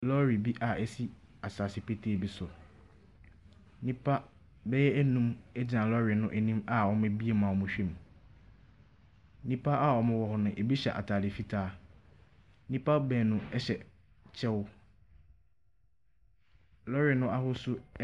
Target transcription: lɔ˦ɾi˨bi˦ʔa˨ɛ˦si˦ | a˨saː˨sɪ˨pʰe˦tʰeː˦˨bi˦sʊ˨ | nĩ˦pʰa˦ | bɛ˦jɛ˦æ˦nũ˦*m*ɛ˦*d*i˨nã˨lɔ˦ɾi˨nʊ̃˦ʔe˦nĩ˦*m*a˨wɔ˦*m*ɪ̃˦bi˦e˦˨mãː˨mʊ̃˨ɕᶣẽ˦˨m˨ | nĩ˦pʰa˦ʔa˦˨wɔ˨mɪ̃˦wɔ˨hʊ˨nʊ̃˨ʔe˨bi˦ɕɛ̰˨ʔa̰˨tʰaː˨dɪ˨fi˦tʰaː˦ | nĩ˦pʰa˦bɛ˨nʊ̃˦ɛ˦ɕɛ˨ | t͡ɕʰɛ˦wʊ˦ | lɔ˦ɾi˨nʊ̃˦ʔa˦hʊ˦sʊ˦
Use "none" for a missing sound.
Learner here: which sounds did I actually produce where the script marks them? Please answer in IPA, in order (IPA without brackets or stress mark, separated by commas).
m, d͡ʑ, m, m